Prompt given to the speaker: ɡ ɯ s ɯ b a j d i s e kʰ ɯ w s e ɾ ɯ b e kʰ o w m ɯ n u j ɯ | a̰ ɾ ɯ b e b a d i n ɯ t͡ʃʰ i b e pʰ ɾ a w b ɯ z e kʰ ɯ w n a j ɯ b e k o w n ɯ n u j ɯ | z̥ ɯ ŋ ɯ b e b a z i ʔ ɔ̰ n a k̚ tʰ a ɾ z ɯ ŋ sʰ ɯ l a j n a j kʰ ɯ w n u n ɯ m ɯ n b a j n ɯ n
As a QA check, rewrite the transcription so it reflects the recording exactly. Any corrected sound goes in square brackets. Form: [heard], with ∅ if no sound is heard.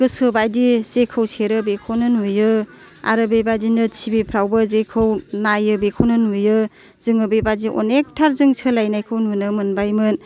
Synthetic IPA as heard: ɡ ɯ s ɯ b a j d i [z] e kʰ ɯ w s e ɾ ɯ b e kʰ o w [n] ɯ n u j ɯ | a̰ ɾ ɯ b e b a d i n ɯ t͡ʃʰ i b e pʰ ɾ a w b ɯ z e kʰ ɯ w n a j ɯ b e [kʰ] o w n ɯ n u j ɯ | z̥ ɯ ŋ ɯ b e b a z i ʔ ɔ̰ n [e] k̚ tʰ a ɾ z ɯ ŋ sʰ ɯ l a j n a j kʰ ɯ w n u n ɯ m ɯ n b a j [m] ɯ n